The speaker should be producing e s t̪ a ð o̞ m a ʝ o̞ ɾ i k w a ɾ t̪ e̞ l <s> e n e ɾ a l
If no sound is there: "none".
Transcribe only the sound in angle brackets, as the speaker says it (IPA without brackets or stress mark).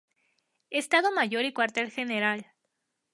x